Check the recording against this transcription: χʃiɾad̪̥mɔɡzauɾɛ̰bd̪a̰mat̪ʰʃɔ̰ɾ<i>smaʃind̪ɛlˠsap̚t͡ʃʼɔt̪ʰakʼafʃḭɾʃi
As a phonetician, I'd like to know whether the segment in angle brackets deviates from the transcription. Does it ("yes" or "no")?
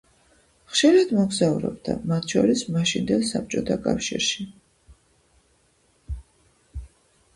no